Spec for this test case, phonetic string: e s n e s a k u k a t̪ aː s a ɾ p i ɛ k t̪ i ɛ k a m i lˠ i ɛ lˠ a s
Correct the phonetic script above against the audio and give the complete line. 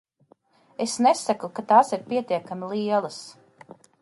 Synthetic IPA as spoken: e s n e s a k u k a t̪ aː s i ɾ p i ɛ t̪ i ɛ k a m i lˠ i ɛ lˠ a s